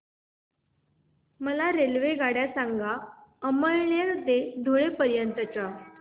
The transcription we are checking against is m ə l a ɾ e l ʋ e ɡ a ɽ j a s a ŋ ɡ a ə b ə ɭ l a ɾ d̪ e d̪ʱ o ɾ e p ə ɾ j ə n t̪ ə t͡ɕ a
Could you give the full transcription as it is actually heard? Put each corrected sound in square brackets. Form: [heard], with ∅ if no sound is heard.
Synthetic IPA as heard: m ə l a ɾ e l ʋ e ɡ a ɽ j a s a ŋ ɡ a ə [m] ə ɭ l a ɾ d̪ e d̪ʱ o [ɭ] e p ə ɾ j ə n t̪ ə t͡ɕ a